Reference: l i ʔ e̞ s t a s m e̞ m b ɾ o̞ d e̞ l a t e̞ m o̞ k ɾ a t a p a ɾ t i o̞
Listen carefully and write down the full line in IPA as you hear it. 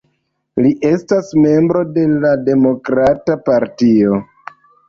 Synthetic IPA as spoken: l i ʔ e̞ s t a s m e̞ m b ɾ o̞ d e̞ l a d e̞ m o̞ k ɾ a t a p a ɾ t i o̞